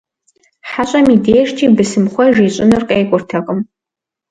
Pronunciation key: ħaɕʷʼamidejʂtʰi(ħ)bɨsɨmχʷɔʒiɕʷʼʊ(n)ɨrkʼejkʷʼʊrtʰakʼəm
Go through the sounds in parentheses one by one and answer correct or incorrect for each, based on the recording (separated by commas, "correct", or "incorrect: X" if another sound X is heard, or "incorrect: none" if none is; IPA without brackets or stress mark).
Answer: incorrect: none, correct